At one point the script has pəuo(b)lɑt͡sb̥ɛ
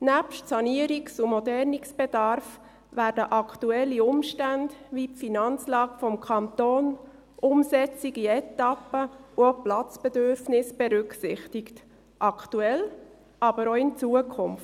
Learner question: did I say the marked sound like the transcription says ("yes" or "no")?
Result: no